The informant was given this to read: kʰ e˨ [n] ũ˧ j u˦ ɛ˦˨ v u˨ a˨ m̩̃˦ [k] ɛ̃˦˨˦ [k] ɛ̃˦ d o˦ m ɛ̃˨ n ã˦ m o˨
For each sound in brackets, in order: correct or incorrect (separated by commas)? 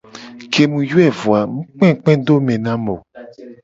incorrect, incorrect, incorrect